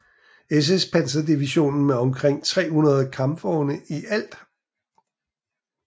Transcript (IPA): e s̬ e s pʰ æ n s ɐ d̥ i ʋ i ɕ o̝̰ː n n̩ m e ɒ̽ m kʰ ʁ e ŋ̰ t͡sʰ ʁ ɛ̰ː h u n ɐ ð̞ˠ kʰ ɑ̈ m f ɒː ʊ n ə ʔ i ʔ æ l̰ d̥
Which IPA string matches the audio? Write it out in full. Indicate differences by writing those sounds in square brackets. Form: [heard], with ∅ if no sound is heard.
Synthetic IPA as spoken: e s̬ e s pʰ æ n s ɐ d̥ i ʋ i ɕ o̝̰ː n n̩ m e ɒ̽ m kʰ ʁ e ŋ̰ t͡sʰ ʁ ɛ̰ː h u n ɐ ð̞ˠ kʰ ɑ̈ m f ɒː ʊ n ə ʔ i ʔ æ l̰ d̥